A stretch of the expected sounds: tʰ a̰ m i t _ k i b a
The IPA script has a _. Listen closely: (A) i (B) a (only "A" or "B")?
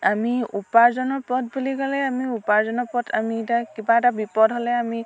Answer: B